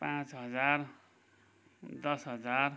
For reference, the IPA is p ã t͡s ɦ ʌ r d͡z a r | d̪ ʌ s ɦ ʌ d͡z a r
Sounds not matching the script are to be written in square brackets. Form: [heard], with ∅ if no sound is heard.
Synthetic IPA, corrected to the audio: p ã t͡s ɦ ʌ [∅] d͡z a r | d̪ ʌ s ɦ ʌ d͡z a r